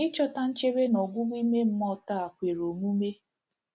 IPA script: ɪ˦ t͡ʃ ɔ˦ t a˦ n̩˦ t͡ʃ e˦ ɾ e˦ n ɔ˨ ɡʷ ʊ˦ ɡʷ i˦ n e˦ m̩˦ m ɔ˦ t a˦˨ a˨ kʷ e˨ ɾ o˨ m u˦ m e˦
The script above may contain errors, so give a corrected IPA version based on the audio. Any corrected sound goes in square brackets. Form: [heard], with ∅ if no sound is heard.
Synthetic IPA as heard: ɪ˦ t͡ʃ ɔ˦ t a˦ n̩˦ t͡ʃ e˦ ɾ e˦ n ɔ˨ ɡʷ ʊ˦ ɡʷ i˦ [m] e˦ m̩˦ m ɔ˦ t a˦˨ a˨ kʷ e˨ ɾ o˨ m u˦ m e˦